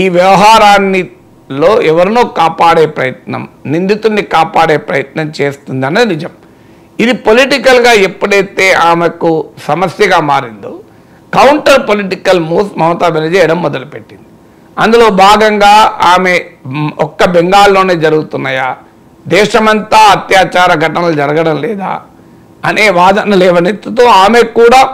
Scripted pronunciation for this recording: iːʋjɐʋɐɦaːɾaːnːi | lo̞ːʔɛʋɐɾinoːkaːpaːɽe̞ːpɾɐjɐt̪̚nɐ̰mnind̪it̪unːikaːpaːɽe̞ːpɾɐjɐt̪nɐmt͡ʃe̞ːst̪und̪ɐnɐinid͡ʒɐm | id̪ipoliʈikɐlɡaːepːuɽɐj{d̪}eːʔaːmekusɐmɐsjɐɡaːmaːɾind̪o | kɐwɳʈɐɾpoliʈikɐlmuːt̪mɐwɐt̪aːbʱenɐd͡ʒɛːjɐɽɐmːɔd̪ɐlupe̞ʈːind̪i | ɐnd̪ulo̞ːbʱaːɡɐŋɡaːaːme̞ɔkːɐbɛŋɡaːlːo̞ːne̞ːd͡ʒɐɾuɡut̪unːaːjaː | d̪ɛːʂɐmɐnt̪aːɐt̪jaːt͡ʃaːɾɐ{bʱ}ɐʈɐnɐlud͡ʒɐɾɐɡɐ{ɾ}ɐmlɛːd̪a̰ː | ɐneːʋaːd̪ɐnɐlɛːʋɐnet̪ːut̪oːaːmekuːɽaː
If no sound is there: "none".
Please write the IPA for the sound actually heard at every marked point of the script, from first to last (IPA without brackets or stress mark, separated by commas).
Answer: t̪, ɡʱ, ɽ